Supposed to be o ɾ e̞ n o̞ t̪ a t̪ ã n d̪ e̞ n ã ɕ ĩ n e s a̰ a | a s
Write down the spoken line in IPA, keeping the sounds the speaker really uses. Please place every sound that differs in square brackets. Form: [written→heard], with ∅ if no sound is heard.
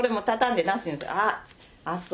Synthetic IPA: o ɾ e̞ [n→m] o̞ t̪ a t̪ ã n d̪ e̞ n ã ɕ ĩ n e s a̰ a | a s